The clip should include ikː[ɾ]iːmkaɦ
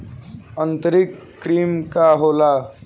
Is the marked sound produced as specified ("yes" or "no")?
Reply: yes